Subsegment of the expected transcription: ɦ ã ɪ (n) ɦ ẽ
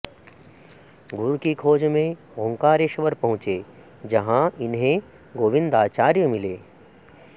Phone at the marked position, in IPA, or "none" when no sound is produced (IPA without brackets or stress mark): n